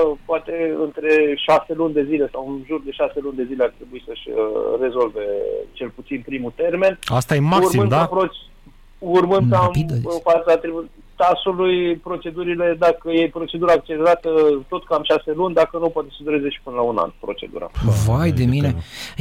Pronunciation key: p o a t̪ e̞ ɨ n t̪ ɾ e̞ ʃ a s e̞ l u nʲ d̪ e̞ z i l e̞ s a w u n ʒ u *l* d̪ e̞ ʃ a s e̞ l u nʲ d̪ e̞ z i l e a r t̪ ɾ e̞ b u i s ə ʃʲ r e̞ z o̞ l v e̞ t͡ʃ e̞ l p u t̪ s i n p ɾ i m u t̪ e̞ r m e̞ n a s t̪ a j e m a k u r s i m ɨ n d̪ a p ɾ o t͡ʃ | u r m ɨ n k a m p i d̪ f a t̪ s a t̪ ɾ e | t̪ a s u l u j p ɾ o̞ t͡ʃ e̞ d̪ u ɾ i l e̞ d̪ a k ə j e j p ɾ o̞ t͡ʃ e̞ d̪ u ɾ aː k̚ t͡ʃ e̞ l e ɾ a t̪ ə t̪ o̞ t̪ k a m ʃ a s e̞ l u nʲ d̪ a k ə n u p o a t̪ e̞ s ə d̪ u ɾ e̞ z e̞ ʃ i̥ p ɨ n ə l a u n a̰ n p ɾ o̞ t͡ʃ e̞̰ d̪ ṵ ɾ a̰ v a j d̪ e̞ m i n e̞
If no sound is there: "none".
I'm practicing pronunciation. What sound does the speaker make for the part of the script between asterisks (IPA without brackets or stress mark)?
r